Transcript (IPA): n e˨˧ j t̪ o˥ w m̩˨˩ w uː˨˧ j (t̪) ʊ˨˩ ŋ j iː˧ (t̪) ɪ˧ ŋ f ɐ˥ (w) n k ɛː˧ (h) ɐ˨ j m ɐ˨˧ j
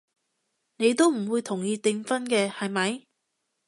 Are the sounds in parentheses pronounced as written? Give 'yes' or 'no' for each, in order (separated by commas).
no, yes, no, yes